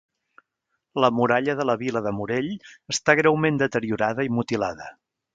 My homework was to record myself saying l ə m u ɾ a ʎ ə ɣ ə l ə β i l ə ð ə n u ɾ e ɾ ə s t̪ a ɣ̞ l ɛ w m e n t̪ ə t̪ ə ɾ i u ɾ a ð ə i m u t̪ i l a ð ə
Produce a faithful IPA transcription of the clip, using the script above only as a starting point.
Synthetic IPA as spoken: l ə m u ɾ a ʎ ə ð ə l ə β i l ə ð ə m u ɾ e ʎ ə s t̪ a ɣ̞ ɾ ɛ w m e n d̪ ə t̪ ə ɾ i u ɾ a ð ə i m u t̪ i l a ð ə